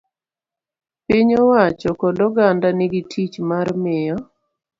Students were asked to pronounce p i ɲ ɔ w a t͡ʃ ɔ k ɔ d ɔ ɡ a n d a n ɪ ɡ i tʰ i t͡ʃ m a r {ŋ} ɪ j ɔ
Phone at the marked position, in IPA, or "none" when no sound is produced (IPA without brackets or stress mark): m